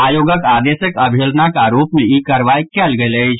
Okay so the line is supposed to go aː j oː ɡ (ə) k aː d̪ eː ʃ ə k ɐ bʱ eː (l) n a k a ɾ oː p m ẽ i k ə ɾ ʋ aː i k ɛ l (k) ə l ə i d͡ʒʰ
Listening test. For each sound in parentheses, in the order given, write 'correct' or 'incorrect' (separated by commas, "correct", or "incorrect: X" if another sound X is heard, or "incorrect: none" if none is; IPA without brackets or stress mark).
correct, correct, incorrect: ɡ